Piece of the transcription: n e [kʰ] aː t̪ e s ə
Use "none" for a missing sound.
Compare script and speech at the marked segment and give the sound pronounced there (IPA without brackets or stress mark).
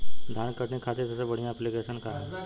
kʰ